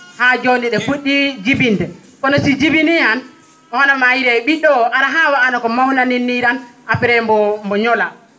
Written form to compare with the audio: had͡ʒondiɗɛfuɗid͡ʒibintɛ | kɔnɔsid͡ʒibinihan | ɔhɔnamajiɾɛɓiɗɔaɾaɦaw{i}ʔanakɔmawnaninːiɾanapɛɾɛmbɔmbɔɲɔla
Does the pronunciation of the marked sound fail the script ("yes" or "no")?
yes